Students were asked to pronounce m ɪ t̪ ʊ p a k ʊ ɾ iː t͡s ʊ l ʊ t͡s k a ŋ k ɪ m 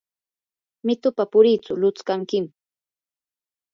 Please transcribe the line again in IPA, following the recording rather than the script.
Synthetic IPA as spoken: m ɪ t̪ ʊ p a p ʊ ɾ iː t͡s ʊ l ʊ t͡s k a ŋ k ɪ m

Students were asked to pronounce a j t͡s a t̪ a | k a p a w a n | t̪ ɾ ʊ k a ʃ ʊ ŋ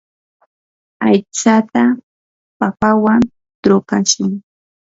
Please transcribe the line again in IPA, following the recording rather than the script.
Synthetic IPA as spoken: a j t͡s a t̪ a | p a p a w a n | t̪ ɾ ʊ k a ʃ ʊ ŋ

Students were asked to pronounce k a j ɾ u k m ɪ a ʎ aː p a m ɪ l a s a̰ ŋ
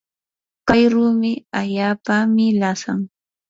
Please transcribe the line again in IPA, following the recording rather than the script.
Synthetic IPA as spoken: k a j ɾ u m ɪ a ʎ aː p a m ɪ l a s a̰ ŋ

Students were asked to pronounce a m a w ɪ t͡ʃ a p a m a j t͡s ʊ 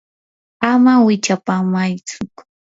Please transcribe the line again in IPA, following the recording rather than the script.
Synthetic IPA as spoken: a m a w ɪ t͡ʃ a p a m a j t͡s ʊ

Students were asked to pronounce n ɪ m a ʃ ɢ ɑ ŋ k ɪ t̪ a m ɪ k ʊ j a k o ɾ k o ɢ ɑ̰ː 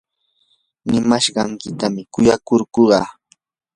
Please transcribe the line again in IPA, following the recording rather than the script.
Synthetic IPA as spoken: n ɪ m a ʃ ɢ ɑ ŋ k ɪ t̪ a m ɪ k ʊ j a k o ɾ k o ɢ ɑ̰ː

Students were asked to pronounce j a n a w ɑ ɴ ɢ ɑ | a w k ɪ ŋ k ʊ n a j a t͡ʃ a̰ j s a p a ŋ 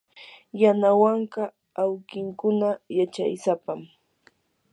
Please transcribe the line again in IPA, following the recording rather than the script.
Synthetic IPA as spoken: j a n a w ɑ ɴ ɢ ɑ | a w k ɪ ŋ k ʊ n a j a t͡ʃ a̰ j s a p a m

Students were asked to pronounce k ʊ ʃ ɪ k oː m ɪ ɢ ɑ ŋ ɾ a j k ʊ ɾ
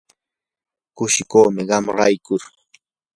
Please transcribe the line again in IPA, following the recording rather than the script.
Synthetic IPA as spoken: k ʊ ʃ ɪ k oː m ɪ ɢ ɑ m ɾ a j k ʊ ɾ

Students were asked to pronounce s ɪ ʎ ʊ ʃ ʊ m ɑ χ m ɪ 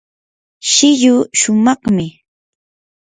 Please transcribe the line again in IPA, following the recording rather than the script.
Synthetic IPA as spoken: ʃ ɪ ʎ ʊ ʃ ʊ m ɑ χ m ɪ

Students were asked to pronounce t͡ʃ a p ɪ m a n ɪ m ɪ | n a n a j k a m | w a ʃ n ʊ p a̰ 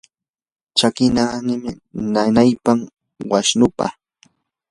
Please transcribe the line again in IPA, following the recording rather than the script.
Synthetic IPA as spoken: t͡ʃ a k ɪ n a n ɪ m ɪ | n a n a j p a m | w a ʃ n ʊ p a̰

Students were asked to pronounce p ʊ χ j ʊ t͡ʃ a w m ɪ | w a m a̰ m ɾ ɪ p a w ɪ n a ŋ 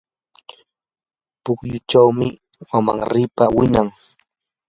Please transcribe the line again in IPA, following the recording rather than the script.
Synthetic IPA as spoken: p ʊ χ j ʊ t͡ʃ a w m ɪ | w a m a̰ ŋ ɾ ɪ p a w ɪ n a ŋ

